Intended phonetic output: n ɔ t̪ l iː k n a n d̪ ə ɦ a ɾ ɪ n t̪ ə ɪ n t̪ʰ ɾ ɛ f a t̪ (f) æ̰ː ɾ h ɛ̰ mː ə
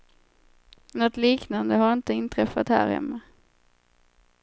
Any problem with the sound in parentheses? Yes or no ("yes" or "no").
yes